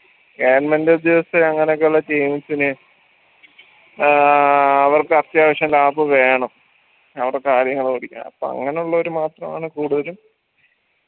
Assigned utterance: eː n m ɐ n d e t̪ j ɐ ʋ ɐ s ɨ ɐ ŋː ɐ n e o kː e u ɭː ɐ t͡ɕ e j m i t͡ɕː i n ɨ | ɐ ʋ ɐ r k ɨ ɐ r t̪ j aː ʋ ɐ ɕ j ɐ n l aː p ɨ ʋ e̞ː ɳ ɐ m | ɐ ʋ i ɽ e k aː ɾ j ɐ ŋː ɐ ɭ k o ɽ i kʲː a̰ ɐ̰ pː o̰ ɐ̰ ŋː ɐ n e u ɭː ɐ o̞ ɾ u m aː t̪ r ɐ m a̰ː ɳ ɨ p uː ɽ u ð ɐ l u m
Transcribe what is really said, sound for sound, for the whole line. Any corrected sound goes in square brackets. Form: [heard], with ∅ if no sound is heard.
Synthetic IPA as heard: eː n m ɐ n d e [d̪] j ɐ ʋ ɐ s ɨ ɐ ŋː ɐ n e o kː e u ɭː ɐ t͡ɕ e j m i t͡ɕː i n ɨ | ɐ ʋ ɐ r k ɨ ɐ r t̪ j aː ʋ ɐ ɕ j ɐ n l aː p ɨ ʋ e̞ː ɳ ɐ m | ɐ ʋ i ɽ e k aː ɾ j ɐ ŋː ɐ ɭ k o ɽ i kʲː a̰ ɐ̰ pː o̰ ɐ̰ ŋː ɐ n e u ɭː ɐ o̞ ɾ u m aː t̪ r ɐ m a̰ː ɳ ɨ [k] uː ɽ u ð ɐ l u m